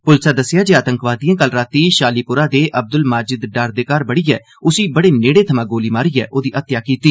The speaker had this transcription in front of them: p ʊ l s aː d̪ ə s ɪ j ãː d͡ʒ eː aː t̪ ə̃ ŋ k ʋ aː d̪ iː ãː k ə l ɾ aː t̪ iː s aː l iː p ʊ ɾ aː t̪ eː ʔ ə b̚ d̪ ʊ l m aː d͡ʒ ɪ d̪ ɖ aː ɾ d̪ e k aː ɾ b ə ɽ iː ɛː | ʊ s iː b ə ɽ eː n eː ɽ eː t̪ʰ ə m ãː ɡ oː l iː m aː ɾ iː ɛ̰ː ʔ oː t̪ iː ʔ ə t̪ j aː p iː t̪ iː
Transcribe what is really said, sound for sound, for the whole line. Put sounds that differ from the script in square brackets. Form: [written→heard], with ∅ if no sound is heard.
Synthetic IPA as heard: p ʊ l s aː d̪ ə s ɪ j [ãː→aː] d͡ʒ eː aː t̪ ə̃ ŋ k ʋ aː d̪ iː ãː k ə l ɾ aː t̪ iː [s→ʃ] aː l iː p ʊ ɾ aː [t̪→d̪] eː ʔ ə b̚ d̪ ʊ l m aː d͡ʒ ɪ d̪ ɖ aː ɾ d̪ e k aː ɾ b ə ɽ iː ɛː | ʊ s iː b ə ɽ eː n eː ɽ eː t̪ʰ ə m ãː ɡ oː l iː m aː ɾ iː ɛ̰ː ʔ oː [t̪→d̪] iː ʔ ə t̪ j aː [p→k] iː t̪ iː